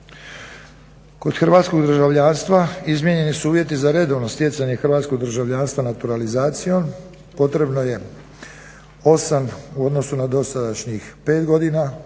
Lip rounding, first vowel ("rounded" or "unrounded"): rounded